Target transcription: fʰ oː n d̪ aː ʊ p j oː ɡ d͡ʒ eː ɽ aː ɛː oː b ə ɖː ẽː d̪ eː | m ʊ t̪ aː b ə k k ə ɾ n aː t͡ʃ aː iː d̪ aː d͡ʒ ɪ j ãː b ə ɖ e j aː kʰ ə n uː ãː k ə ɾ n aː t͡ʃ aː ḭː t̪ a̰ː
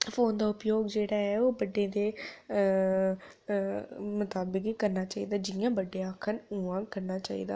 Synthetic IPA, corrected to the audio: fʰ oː n d̪ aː ʊ p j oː ɡ d͡ʒ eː ɽ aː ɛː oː b ə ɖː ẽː d̪ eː | m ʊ t̪ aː b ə k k ə ɾ n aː t͡ʃ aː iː d̪ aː d͡ʒ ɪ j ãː b ə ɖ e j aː kʰ ə n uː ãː k ə ɾ n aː t͡ʃ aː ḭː d̪ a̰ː

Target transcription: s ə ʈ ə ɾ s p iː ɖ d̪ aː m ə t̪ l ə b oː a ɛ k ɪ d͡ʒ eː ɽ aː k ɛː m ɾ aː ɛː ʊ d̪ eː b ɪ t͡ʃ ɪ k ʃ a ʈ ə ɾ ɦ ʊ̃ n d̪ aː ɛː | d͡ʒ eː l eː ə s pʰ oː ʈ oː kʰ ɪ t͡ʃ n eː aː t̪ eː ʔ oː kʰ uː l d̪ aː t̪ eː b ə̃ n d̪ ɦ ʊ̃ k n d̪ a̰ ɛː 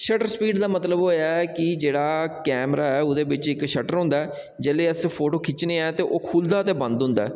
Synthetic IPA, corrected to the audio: ʃ ə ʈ ə ɾ s p iː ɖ d̪ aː m ə t̪ l ə b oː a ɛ k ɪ d͡ʒ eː ɽ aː k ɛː m ɾ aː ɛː ʊ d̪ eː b ɪ t͡ʃ ɪ k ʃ ə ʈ ə ɾ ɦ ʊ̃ n d̪ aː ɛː | d͡ʒ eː l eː ə s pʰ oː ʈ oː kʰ ɪ t͡ʃ n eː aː t̪ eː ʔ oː kʰ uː l d̪ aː t̪ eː b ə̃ n d̪ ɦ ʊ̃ n d̪ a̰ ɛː

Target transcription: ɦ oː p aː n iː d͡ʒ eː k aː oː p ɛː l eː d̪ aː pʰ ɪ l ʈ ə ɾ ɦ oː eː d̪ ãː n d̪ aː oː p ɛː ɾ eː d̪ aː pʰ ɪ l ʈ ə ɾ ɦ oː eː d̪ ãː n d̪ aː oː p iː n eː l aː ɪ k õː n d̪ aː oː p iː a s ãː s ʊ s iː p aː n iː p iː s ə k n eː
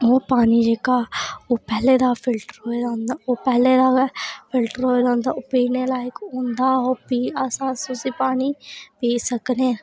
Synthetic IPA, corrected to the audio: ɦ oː p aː n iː d͡ʒ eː k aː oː p ɛː l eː d̪ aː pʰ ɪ l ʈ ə ɾ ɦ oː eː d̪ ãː n d̪ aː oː p ɛː l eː d̪ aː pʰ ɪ l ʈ ə ɾ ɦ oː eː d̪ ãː n d̪ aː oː p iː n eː l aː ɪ k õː n d̪ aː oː p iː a s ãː s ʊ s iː p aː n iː p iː s ə k n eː

